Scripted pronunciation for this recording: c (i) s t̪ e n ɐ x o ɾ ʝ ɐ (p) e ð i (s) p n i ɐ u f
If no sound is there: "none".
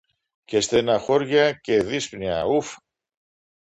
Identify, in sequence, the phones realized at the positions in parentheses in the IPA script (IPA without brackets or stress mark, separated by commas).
e, c, s